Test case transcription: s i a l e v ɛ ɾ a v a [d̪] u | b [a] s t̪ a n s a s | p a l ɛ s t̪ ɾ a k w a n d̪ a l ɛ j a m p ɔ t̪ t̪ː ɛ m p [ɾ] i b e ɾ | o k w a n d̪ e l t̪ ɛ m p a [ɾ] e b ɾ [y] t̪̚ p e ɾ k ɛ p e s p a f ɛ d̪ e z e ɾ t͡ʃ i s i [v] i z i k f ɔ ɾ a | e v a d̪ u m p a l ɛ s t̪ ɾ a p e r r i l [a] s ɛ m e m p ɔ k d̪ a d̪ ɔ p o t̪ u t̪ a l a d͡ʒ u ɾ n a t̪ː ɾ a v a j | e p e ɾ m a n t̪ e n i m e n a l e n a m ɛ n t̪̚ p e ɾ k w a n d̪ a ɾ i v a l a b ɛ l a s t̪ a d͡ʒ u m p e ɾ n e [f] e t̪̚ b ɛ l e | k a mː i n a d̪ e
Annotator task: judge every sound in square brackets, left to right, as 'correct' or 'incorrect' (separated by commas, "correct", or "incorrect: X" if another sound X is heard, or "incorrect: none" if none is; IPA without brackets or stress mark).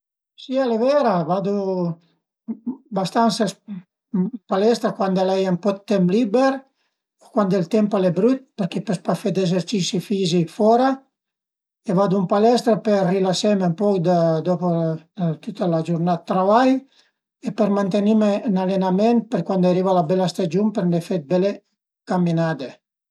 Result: correct, correct, incorrect: l, incorrect: l, correct, incorrect: f, correct, correct